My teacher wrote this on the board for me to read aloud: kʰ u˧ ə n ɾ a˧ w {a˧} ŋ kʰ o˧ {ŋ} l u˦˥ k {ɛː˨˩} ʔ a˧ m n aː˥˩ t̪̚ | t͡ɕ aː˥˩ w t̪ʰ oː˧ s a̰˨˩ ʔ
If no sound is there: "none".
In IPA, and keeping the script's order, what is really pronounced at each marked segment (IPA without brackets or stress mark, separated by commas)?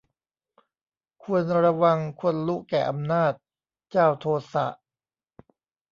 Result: a˧, n, ɛː˨˩